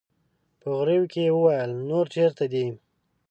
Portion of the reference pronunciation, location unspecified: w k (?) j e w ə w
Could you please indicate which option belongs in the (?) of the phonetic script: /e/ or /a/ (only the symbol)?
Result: e